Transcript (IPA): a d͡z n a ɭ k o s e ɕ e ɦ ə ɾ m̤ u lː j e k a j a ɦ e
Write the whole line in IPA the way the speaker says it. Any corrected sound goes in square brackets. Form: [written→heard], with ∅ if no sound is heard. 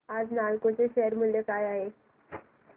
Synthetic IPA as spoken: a d͡z n a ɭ k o [s→t͡s] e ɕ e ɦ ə ɾ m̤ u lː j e k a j a ɦ e